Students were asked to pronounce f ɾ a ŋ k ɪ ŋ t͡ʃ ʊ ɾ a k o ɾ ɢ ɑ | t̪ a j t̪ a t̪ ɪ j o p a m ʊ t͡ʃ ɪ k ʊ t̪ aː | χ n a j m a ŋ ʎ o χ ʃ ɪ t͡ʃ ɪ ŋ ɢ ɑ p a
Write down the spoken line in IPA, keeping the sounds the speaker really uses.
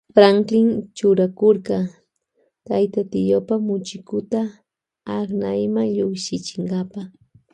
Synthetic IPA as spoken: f ɾ a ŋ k ɪ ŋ t͡ʃ ʊ ɾ a k o ɾ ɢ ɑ | t̪ a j t̪ a t̪ ɪ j o p a m ʊ t͡ʃ ɪ k ʊ t̪ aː | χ n a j m a ŋ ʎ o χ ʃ ɪ t͡ʃ ɪ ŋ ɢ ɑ p a